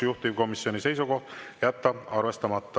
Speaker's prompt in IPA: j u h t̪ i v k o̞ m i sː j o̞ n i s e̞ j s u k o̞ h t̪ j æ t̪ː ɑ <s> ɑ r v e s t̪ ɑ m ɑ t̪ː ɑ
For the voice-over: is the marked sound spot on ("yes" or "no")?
no